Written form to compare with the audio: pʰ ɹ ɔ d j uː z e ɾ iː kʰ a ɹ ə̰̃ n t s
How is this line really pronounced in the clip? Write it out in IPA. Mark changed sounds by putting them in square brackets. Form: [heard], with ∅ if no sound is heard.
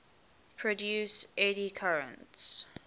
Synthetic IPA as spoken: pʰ ɹ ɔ d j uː [s] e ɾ [i] kʰ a ɹ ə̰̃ n t s